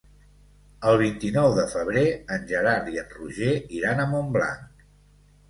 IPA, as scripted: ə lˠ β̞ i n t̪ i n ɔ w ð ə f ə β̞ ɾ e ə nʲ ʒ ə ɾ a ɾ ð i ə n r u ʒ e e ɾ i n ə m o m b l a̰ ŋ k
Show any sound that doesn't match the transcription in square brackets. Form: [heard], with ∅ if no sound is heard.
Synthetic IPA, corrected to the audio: ə lˠ β̞ i n t̪ i n ɔ w ð ə f ə β̞ ɾ e ə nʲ ʒ ə ɾ a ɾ ð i ə n r u ʒ e [i] ɾ [a] n ə m o m b l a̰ ŋ k